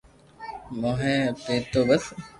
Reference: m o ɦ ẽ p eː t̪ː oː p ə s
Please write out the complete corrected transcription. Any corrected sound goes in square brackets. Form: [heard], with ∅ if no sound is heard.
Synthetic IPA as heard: m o ɦ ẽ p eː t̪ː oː [b] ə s